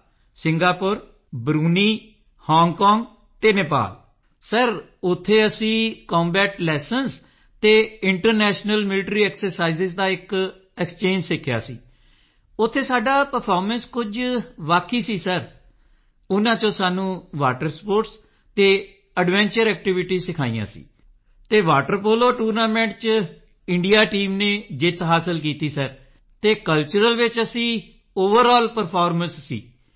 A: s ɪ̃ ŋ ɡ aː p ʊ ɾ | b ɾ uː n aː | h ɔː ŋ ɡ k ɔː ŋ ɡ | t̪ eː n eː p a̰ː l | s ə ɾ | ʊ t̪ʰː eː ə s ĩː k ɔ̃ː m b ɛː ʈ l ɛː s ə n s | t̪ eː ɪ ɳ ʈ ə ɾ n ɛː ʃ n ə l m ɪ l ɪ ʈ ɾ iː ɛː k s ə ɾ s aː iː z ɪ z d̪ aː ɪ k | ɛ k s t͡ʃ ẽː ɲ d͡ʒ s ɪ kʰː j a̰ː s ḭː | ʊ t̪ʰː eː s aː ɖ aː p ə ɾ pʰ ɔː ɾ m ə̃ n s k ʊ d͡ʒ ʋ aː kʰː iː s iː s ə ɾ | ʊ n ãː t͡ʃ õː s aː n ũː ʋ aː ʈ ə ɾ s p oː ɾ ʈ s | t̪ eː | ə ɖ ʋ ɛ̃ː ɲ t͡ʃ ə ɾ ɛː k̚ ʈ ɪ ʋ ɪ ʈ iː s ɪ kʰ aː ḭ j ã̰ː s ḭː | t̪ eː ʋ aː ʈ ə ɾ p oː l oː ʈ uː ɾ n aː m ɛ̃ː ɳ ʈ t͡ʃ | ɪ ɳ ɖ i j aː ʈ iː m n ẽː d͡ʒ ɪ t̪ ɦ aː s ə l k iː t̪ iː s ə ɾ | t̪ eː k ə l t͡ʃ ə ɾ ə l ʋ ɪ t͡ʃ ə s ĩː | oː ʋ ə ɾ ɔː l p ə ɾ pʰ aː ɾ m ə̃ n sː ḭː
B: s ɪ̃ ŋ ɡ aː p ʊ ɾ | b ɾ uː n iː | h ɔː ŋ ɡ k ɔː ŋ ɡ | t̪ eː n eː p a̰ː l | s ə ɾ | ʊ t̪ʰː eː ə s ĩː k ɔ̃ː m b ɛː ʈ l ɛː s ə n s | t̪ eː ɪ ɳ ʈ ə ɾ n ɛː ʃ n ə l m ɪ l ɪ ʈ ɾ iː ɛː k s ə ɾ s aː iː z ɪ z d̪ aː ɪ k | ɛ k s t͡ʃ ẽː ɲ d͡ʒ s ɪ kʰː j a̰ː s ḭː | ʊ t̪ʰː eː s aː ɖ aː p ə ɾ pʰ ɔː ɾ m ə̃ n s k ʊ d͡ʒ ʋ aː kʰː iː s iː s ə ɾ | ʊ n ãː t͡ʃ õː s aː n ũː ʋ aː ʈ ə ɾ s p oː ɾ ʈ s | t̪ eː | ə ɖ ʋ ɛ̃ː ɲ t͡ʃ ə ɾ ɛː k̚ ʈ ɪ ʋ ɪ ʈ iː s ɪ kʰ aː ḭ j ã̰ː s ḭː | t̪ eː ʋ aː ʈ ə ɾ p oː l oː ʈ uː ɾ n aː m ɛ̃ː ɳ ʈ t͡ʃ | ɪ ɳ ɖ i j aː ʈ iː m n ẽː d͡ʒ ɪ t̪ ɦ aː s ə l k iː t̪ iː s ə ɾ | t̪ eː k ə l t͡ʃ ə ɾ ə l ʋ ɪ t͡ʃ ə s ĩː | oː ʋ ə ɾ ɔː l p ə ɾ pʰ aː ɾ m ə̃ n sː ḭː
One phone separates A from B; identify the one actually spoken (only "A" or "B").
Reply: B